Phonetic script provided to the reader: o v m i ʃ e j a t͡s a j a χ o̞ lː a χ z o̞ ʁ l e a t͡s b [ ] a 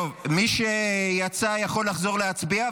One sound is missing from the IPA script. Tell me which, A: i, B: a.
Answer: A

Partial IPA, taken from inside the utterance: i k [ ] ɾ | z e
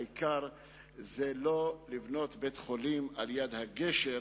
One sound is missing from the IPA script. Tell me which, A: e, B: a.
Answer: B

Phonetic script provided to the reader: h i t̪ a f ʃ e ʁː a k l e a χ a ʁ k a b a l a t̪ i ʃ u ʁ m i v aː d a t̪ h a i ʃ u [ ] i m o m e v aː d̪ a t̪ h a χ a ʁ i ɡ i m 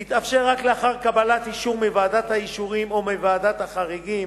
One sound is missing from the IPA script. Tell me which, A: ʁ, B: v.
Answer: A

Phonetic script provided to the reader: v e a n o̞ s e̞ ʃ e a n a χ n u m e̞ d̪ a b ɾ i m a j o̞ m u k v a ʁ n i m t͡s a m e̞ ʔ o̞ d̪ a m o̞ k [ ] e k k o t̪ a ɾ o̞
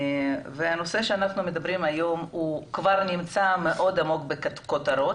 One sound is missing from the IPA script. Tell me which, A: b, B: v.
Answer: A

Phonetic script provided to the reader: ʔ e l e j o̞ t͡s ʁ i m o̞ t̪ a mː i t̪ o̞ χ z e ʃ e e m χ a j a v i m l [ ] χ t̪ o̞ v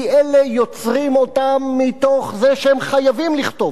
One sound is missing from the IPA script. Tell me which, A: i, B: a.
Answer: A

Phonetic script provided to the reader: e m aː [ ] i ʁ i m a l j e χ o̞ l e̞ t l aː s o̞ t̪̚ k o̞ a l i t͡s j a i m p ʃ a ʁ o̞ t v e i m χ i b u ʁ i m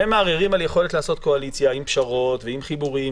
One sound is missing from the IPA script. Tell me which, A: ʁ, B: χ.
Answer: A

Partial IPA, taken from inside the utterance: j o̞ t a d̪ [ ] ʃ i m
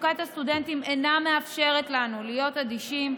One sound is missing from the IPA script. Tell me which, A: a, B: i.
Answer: B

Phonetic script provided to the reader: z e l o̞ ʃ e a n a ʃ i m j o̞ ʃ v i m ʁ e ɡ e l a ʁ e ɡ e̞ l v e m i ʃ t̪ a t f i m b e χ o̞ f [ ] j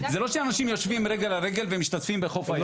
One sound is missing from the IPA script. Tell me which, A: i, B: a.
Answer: B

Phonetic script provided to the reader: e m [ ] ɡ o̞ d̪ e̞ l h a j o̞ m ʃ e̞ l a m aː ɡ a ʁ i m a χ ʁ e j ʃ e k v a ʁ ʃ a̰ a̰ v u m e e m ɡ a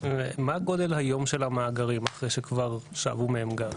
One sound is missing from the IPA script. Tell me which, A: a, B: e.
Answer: A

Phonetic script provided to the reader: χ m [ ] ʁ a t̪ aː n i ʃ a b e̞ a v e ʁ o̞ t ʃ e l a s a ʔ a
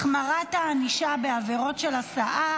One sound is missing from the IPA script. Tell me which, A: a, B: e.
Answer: A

